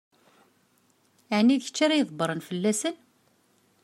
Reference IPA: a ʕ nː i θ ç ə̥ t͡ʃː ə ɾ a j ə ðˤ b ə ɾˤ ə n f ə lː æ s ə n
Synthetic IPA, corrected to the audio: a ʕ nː i ð ç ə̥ t͡ʃː a ɾ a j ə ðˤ b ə ɾˤ ə n f ə lː æ s ə n